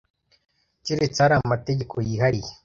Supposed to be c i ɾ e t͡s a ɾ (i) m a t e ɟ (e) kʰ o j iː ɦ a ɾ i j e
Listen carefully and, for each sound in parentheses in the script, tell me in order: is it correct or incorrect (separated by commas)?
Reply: incorrect, correct